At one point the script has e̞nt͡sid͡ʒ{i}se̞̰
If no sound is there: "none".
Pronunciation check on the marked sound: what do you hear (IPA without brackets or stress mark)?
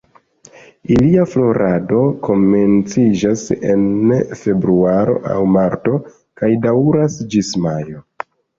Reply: a